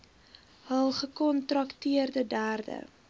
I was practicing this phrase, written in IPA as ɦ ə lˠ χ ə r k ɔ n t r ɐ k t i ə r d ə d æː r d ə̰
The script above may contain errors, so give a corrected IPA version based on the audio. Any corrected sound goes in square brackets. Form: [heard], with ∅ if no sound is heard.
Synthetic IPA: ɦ ə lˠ χ ə [∅] k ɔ n t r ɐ k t i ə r d ə d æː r d ə̰